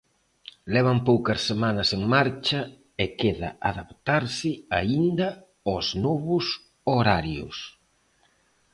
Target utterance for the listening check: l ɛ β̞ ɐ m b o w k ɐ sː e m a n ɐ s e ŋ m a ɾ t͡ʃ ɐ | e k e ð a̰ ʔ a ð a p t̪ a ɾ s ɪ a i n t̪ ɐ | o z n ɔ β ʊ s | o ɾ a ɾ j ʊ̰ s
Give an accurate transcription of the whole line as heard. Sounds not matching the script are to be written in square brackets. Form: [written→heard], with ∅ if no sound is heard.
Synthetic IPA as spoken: l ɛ β̞ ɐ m [b→p] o w k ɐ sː e m a n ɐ s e ŋ m a ɾ t͡ʃ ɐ | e k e ð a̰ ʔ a ð a p t̪ a ɾ s ɪ a i n [t̪→d̪] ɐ | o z n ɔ β ʊ s | o ɾ a ɾ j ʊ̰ s